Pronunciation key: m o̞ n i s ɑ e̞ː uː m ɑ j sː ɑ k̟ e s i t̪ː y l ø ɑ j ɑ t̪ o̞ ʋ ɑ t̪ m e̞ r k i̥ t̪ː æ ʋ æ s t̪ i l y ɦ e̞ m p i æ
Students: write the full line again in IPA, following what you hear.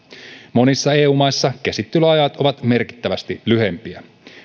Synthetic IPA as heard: m o̞ n i sː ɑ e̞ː uː m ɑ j sː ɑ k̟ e s i t̪ː y l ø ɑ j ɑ t̪ o̞ ʋ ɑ t̪ m e̞ r k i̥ t̪ː æ ʋ æ s t̪ i l y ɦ e̞ m p i æ